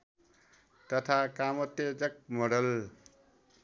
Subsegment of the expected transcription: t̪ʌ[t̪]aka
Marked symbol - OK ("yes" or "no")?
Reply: no